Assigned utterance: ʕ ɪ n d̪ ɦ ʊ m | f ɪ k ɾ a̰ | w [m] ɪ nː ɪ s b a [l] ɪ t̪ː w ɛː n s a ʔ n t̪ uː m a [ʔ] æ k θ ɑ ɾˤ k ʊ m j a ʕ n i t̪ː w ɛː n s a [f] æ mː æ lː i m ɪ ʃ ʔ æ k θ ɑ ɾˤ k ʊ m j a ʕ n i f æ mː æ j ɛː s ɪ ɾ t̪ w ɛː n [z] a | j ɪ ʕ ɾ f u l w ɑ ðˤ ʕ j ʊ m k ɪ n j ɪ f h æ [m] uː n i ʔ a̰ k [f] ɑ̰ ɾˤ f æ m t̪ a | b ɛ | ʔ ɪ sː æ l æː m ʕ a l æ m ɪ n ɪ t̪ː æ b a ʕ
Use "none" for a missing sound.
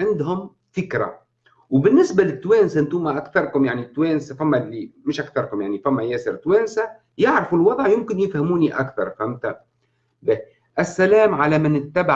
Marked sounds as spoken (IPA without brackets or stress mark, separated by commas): b, l, ʔ, f, s, m, θ